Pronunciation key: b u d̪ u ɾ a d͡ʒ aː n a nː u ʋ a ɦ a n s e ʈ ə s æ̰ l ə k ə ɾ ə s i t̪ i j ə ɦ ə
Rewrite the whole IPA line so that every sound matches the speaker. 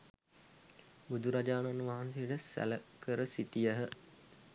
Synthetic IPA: b u d̪ u ɾ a d͡ʒ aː n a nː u ʋ a ɦ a n s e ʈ ə s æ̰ l ə k ə ɾ ə s i t̪ i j ə ɦ ə